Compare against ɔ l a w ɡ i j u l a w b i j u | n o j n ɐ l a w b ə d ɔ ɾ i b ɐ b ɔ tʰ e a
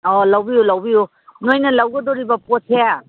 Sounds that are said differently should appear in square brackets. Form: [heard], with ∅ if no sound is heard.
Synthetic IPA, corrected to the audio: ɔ l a w [b] i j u l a w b i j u | n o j n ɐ l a w [ɡ] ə d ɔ ɾ i b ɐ [p] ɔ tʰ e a